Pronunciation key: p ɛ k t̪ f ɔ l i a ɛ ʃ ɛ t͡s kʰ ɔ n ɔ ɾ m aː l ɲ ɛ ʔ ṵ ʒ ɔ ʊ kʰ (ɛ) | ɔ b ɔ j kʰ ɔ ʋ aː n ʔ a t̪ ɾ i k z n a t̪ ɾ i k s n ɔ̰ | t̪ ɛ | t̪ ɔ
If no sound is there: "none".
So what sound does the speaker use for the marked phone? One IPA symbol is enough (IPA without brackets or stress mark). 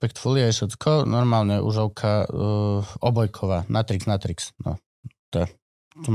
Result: a